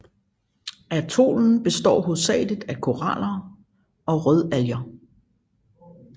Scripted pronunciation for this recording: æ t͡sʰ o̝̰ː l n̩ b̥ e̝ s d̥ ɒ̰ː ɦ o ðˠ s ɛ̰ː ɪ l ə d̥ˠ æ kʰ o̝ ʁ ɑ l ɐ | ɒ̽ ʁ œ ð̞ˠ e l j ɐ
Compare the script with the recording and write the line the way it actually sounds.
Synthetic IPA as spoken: æ t͡sʰ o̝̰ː l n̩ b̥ e̝ s d̥ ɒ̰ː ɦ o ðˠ s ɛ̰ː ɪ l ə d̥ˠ æ kʰ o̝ ʁ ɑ l ɐ | ɒ̽ ʁ œ ð̞ˠ æ l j ɐ